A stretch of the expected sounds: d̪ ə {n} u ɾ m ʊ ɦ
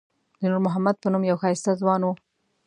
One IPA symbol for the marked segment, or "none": n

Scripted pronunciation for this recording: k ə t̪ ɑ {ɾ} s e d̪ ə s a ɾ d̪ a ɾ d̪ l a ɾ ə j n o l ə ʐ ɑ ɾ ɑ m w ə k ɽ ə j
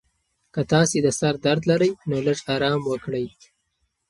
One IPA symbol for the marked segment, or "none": none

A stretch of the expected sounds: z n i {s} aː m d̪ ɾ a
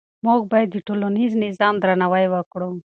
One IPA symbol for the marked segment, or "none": z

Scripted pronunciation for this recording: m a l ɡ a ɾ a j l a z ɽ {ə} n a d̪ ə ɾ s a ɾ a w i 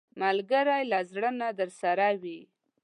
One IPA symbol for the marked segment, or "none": ə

